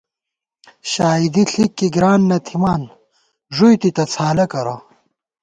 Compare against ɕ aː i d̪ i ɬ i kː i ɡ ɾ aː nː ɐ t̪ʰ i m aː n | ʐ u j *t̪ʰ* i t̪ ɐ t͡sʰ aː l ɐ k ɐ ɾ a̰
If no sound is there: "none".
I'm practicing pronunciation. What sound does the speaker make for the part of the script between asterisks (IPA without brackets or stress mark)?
t̪